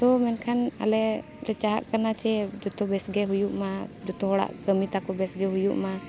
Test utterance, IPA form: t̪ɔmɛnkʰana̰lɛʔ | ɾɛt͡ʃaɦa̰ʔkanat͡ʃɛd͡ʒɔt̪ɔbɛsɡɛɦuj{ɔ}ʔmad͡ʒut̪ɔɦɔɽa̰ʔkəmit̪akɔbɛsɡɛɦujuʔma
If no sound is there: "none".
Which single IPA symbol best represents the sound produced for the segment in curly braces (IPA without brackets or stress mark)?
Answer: u